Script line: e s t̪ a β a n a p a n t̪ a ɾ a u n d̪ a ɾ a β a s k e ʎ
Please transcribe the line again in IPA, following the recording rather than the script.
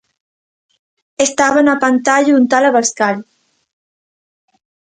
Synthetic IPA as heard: e s t̪ a β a n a p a n t̪ a ʎ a u n t̪ a l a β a s k a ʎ